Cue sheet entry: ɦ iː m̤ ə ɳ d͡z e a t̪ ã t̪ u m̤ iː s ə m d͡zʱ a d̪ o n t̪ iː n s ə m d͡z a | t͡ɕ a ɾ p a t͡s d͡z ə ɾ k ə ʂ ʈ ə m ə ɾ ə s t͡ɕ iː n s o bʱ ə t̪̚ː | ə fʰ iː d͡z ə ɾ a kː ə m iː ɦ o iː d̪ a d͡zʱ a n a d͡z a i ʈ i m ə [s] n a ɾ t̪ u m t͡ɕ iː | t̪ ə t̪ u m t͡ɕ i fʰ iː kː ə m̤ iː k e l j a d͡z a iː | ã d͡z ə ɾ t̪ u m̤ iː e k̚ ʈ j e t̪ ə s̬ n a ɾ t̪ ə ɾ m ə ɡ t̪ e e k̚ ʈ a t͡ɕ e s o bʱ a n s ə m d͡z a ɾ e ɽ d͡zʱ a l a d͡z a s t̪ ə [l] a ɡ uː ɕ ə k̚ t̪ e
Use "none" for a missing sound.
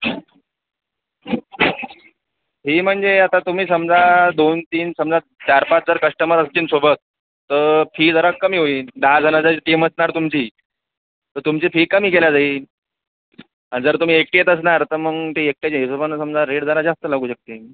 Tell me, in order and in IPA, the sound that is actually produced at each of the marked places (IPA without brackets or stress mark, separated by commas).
s, l